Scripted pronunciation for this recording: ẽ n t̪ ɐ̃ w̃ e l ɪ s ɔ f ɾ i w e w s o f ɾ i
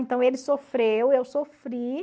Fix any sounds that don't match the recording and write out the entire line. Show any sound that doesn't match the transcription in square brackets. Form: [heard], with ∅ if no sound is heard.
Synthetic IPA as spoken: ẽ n t̪ ɐ̃ w̃ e l ɪ s [o] f ɾ [e] w e w s o f ɾ i